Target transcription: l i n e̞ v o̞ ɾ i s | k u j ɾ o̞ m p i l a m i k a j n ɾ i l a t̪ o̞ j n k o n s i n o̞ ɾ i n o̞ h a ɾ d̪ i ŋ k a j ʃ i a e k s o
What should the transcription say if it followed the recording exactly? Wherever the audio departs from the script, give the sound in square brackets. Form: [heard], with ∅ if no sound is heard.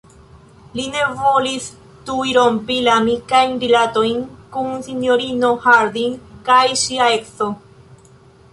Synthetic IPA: l i n e̞ v o̞ [l] i s | [t] u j ɾ o̞ m p i l a m i k a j n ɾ i l a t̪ o̞ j n k [u] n s i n o̞ ɾ i n o̞ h a ɾ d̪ i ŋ k a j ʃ i a e k s o